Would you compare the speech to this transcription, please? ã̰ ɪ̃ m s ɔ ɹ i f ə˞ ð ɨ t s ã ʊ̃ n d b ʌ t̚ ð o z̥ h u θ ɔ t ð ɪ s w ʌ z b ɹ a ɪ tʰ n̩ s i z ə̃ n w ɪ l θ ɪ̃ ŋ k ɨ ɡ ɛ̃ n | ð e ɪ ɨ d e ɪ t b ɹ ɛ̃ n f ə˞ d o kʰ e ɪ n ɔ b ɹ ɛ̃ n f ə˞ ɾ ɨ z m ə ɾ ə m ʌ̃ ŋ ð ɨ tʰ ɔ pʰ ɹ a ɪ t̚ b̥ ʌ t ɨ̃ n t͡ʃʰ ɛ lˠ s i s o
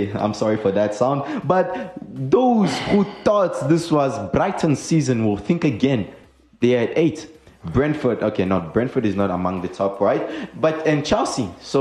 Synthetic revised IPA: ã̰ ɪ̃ m s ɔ ɹ i f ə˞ ð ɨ t s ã ʊ̃ n d b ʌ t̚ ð o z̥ h u θ ɔ t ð ɪ s w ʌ z b ɹ a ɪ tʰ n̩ s i z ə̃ n w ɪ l θ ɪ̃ ŋ k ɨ ɡ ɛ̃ n | ð e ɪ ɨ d e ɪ t b ɹ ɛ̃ n f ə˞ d o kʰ e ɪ n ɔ b ɹ ɛ̃ n f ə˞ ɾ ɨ z n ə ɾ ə m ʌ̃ ŋ ð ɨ tʰ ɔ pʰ ɹ a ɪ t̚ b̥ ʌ t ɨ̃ n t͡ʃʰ ɛ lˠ s i s o